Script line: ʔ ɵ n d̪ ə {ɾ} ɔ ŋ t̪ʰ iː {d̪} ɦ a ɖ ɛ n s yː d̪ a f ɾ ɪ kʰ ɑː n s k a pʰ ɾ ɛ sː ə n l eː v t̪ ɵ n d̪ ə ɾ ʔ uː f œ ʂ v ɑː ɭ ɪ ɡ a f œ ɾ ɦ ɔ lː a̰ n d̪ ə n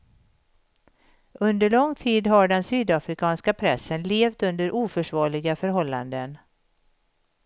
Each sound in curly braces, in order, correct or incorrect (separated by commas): incorrect, correct